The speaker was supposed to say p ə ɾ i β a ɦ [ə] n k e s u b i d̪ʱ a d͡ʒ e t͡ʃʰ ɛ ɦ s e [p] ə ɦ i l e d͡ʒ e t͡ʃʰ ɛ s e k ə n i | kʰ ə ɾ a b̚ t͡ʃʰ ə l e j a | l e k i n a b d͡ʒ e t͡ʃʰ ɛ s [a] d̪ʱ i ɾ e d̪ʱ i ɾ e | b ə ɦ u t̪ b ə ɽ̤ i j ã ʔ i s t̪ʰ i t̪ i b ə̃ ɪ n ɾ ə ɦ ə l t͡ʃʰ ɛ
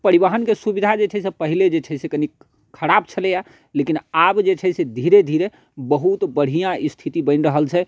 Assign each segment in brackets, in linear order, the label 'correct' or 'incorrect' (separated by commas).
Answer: correct, correct, incorrect